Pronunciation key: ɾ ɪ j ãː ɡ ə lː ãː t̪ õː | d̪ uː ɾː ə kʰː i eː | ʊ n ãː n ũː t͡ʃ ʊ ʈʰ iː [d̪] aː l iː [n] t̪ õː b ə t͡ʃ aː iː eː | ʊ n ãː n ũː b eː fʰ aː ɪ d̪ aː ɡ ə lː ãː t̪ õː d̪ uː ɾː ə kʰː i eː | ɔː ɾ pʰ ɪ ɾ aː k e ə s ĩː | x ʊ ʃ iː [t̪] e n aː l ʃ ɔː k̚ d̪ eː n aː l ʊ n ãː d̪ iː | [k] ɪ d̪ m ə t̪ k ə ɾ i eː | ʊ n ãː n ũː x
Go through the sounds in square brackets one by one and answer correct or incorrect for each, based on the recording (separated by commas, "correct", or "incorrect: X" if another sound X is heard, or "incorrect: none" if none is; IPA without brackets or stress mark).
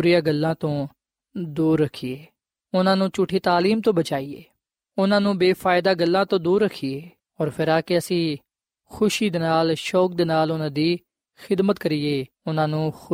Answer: incorrect: t̪, incorrect: m, incorrect: d̪, incorrect: x